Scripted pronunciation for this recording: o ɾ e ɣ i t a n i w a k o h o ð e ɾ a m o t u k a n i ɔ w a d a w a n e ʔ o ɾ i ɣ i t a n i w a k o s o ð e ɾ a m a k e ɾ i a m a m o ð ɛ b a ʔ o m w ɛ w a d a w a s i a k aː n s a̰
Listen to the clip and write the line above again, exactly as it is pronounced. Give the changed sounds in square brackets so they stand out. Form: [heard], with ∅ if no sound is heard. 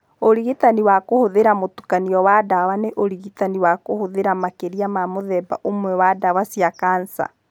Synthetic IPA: o ɾ [i] ɣ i t a n i w a k o h o ð e ɾ a m o t u k a n i ɔ w a d a w a n e ʔ o ɾ i ɣ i t a n i w a k o [h] o ð e ɾ a m a k e ɾ i a m a m o ð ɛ b a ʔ o m w ɛ w a d a w a s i a k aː n s a̰